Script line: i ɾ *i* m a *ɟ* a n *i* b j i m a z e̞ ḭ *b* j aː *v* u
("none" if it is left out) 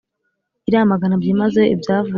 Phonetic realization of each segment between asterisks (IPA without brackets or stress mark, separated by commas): a, ɡ, a, b, v